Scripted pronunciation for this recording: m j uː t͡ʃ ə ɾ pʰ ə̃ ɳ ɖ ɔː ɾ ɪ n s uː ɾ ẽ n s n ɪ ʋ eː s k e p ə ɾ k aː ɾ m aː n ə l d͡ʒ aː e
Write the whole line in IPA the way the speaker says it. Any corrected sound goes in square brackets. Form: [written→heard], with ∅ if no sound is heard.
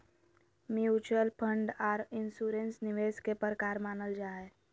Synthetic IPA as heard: m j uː t͡ʃ ə [ɾ→l] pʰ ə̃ ɳ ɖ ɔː ɾ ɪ n s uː ɾ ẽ n s n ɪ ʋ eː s k e p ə ɾ k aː ɾ m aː n ə l d͡ʒ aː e